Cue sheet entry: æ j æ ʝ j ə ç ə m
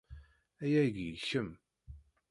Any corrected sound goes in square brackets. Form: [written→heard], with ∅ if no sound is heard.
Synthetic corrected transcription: æ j æ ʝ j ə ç ə m